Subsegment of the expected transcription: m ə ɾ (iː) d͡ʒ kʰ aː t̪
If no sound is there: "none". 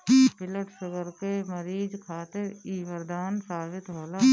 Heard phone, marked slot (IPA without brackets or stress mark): iː